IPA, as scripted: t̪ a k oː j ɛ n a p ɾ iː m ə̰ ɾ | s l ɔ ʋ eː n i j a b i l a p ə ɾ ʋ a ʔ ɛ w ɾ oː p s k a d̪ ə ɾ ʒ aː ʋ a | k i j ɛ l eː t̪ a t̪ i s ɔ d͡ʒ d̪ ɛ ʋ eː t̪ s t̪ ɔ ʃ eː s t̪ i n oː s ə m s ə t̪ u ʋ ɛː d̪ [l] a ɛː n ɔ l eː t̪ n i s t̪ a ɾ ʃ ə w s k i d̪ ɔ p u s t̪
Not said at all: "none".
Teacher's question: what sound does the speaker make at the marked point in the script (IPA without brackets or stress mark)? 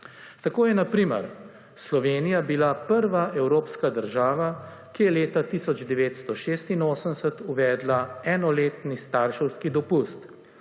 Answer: l